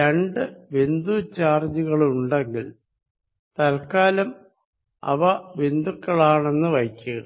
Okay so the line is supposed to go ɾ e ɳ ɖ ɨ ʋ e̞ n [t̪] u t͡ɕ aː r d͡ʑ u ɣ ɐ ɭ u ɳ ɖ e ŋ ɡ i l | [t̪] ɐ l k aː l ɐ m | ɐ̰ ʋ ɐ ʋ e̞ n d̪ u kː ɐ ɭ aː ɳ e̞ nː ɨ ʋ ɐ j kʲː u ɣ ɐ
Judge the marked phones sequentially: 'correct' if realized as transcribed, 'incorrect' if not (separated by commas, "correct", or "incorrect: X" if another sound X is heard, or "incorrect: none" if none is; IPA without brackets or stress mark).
incorrect: d̪, correct